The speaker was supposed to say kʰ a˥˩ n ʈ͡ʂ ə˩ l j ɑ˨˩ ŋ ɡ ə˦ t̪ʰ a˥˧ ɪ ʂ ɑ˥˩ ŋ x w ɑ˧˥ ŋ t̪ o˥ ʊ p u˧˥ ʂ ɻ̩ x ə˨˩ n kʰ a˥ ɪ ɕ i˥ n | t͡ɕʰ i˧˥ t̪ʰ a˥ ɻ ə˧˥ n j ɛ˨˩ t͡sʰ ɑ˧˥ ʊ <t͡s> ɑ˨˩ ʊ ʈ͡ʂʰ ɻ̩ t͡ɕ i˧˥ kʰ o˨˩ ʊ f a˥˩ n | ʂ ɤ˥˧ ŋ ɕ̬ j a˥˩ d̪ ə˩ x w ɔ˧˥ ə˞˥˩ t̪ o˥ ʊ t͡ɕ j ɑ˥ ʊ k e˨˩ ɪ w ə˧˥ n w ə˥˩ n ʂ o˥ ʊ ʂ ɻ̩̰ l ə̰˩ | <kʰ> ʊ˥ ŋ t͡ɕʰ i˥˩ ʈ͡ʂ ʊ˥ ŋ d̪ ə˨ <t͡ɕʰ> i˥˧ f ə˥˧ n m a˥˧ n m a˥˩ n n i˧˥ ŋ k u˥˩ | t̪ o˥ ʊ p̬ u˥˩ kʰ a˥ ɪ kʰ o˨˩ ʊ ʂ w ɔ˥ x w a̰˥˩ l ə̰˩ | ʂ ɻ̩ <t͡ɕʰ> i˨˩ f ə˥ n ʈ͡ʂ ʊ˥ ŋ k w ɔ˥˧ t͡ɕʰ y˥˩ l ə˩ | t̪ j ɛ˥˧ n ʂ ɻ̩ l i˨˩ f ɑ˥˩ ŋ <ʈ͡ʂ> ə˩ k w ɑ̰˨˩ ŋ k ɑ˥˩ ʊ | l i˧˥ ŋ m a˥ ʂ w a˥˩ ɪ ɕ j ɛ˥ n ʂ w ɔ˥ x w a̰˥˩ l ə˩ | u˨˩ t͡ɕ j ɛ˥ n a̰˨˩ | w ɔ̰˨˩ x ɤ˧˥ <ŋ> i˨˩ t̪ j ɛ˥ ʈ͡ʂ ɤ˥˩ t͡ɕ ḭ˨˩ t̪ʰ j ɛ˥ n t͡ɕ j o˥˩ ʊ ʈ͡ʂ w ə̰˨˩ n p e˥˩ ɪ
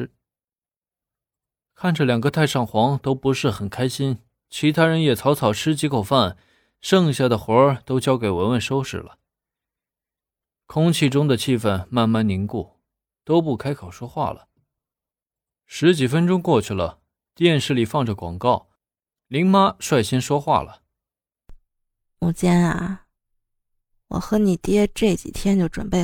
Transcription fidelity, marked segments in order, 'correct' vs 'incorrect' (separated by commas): incorrect, correct, correct, incorrect, correct, incorrect